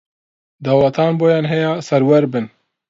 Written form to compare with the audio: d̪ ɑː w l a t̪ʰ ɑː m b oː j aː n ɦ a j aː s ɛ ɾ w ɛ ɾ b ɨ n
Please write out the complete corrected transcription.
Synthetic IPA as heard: d̪ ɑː w l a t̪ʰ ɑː n b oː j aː n ɦ ɛ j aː s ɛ ɾ w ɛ ɾ b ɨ n

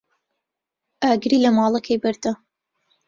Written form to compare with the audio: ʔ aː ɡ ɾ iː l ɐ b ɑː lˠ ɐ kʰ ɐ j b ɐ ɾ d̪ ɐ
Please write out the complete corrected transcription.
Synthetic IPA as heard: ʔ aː ɡ ɾ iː l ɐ m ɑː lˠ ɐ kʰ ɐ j b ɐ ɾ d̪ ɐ

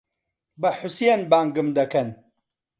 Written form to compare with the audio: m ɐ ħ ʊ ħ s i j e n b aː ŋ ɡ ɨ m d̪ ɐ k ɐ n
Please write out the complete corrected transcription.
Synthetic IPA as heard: b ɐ ħ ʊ s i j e n b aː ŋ ɡ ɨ m d̪ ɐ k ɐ n

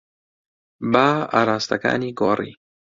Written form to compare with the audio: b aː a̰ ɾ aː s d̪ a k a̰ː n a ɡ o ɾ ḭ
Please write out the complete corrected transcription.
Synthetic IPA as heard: b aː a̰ ɾ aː s t̪ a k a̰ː n i ɡ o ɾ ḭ

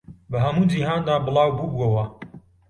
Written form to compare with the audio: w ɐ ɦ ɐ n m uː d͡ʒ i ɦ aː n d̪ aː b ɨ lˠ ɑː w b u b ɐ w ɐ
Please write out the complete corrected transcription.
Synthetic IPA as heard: b ɐ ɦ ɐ m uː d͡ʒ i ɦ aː n d̪ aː b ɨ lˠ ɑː w b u b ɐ w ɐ

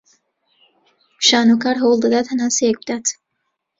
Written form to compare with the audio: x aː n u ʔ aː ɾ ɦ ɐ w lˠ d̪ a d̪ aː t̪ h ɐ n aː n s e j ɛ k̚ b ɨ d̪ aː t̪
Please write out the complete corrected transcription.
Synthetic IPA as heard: ʃ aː n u k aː ɾ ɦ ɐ w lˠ d̪ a d̪ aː t̪ h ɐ n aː n s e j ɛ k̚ b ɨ d̪ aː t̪

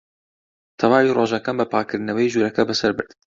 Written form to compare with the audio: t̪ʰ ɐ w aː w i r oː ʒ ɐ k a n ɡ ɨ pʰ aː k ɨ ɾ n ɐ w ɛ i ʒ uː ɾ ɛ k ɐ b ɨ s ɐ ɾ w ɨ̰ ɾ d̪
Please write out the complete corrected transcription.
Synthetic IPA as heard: t̪ʰ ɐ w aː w i r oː ʒ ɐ k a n b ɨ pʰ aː k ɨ ɾ n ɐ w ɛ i ʒ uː ɾ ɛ k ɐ b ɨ s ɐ ɾ b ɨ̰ ɾ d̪

